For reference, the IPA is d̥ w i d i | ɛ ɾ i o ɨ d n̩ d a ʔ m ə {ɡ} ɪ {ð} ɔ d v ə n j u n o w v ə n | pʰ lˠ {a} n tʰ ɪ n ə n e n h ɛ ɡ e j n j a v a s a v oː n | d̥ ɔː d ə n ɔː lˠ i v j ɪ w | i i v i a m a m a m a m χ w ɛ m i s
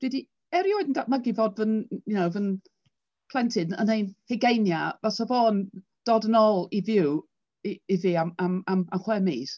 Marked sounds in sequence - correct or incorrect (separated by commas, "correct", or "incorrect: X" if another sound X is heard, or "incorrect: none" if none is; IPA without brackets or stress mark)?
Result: correct, incorrect: v, incorrect: ɛ